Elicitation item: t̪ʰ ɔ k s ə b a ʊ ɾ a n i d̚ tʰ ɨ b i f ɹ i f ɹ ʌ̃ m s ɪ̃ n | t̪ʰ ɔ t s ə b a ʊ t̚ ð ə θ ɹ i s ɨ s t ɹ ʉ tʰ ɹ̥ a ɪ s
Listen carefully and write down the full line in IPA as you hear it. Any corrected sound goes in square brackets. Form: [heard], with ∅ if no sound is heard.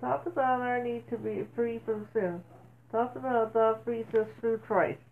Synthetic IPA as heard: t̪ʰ ɔ k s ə b a ʊ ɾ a n i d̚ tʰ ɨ b i f ɹ i f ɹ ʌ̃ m s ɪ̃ n | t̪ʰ ɔ [k] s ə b a ʊ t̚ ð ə [f] ɹ i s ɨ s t ɹ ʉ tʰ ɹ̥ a ɪ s